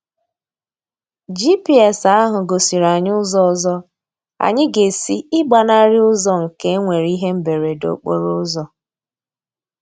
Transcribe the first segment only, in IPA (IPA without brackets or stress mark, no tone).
d͡ʒ